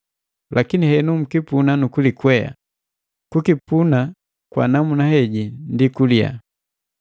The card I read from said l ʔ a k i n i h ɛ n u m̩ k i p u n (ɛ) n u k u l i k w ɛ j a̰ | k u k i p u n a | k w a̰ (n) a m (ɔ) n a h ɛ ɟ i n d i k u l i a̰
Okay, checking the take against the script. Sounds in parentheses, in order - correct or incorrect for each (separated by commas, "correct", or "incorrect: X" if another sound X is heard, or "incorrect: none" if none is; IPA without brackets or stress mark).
incorrect: a, correct, incorrect: u